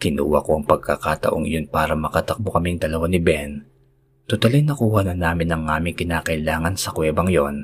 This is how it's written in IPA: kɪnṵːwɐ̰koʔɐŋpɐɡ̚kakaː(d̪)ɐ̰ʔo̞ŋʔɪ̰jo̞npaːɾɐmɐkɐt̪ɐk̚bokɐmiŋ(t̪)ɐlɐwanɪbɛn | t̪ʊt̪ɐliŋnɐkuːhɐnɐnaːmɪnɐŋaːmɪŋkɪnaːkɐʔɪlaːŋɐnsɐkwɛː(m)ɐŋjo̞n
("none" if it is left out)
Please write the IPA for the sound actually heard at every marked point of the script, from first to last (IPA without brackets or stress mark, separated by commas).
t̪, d̪, b